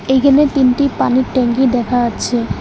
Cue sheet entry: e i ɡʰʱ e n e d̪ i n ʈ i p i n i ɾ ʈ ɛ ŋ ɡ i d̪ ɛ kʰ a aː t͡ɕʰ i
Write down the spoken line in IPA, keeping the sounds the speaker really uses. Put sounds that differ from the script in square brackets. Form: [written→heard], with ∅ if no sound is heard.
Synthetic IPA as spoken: e [i→j] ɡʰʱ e n e [d̪→t̪] i n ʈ i p [i→a] n i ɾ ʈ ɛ ŋ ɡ i d̪ ɛ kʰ a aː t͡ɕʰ [i→e]